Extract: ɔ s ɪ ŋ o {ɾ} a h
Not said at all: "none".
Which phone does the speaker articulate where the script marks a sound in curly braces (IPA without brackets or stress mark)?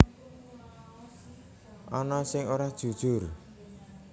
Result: ɾ